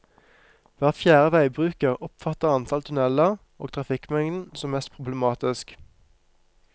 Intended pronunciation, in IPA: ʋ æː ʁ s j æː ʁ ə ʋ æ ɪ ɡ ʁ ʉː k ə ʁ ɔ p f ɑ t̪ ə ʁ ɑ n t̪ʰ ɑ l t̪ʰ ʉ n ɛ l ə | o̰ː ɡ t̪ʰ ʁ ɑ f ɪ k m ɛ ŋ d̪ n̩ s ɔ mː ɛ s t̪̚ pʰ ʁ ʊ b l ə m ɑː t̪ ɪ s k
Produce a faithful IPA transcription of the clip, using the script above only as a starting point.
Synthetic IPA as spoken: ʋ æː ʁ f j æː ʁ ə ʋ æ ɪ b ʁ ʉː k ə ʁ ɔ p f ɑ t̪ ə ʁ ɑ n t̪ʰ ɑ l t̪ʰ ʉ n ɛ l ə | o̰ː ɡ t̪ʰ ʁ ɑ f ɪ k m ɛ ŋ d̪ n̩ s ɔ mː ɛ s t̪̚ pʰ ʁ ʊ b l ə m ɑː t̪ ɪ s k